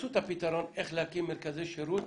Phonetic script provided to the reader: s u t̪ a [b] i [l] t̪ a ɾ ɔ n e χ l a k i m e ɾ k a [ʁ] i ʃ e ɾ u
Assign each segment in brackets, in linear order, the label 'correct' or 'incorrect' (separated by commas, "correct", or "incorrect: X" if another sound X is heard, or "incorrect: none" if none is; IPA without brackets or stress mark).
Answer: incorrect: p, incorrect: none, incorrect: z